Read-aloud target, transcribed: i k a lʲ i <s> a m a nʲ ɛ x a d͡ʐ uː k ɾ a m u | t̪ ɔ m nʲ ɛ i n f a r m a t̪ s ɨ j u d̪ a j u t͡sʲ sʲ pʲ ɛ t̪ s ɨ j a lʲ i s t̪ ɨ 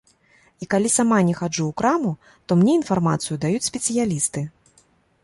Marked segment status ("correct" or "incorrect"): correct